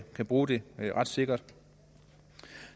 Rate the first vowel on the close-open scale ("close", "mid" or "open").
open